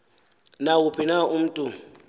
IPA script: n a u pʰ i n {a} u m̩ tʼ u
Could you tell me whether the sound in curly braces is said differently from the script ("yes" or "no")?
no